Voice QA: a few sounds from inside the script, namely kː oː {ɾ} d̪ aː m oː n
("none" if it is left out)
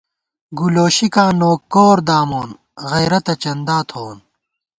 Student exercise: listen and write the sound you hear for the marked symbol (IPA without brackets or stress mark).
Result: ɾ